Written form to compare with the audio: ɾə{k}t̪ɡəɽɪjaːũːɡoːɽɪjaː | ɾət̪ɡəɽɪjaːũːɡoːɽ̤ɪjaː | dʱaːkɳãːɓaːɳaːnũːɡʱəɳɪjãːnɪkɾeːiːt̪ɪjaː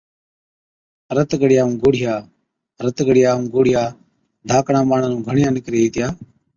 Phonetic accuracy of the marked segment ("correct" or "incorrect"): incorrect